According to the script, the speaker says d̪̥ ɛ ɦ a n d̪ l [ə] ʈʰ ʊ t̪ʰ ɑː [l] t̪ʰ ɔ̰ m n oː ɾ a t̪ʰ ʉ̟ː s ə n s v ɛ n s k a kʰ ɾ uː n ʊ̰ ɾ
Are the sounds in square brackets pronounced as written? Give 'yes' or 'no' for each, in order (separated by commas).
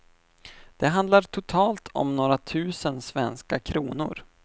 no, yes